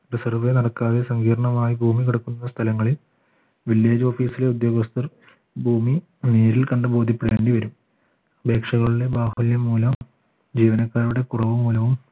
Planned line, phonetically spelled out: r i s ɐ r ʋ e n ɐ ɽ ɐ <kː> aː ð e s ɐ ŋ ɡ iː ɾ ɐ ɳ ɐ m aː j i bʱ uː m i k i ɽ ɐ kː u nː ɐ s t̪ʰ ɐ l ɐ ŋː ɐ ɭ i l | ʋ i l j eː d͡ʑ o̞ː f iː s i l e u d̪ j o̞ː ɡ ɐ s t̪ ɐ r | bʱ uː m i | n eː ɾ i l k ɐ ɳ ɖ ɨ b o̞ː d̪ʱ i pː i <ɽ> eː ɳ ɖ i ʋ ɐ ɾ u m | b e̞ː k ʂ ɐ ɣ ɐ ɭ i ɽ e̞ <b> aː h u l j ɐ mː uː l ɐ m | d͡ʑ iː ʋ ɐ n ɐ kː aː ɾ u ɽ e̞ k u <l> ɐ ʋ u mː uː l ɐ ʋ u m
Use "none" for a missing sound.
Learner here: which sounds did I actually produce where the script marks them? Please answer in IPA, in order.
kː, ɽ, b, r

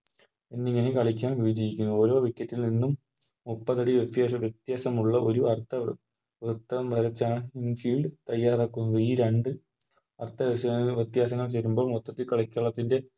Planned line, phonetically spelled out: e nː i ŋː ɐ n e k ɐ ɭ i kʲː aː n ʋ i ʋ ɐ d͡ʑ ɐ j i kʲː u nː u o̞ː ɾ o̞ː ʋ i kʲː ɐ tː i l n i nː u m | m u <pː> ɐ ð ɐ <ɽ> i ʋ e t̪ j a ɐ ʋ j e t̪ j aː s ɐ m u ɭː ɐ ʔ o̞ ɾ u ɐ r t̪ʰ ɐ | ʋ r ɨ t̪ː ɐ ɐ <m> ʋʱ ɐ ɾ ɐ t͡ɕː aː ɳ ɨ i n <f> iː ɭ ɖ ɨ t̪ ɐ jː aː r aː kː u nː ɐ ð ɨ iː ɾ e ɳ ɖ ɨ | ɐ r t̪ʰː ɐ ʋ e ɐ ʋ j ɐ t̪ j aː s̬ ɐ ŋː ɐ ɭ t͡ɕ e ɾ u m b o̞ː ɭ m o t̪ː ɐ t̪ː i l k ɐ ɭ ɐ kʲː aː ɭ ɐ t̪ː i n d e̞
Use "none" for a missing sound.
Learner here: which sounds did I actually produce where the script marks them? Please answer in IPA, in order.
pː, ɽ, m, f

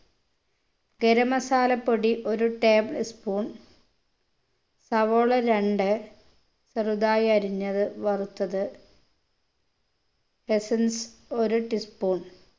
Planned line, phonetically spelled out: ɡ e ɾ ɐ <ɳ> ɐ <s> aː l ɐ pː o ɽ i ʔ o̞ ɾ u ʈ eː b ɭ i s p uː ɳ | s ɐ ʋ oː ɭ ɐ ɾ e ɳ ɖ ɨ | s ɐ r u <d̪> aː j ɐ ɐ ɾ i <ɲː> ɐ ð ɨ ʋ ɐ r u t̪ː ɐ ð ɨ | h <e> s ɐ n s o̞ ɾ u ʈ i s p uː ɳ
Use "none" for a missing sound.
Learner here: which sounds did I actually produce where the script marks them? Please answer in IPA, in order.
m, s, d̪, ɲː, e

